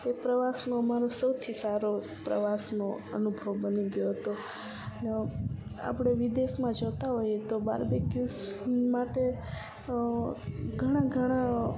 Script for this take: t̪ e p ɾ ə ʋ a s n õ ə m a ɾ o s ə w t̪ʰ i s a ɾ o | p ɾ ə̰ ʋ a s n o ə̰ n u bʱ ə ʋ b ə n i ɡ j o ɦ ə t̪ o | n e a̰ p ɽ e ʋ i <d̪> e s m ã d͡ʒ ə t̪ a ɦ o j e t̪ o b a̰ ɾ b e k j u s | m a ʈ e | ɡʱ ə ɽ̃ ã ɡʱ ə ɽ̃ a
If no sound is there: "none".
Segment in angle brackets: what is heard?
d̪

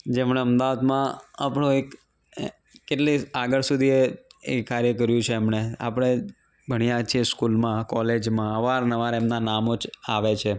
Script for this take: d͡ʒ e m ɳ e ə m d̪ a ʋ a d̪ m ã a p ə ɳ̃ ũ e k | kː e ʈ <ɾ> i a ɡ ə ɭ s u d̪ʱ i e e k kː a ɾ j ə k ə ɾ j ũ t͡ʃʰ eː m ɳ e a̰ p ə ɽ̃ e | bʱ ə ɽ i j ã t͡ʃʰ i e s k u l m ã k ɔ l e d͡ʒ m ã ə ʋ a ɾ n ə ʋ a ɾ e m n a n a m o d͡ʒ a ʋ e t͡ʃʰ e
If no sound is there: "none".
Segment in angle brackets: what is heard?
l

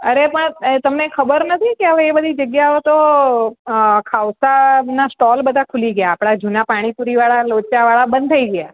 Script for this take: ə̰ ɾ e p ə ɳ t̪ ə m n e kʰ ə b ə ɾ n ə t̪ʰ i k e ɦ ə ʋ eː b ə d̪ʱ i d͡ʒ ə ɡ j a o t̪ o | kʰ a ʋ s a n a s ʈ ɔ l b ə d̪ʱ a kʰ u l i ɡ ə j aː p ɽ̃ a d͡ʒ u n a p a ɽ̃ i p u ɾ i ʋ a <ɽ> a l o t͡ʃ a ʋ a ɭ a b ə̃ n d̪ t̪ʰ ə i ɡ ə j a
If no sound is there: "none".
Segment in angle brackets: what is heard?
ɭ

